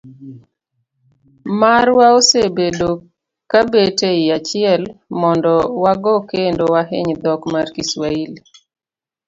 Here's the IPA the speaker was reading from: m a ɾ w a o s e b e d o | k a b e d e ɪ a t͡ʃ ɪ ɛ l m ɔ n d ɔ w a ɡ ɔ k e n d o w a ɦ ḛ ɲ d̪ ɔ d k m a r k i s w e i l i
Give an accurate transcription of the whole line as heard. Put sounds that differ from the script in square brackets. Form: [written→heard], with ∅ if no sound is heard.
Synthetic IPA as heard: m a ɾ w a o s e b e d o | k a b e [d→t] e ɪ a t͡ʃ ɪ ɛ l m ɔ n d ɔ w a ɡ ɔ k e n d o w a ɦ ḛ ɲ d̪ ɔ [d→∅] k m a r k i s w [e→a] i l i